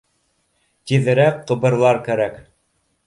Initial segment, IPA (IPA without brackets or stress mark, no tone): t̪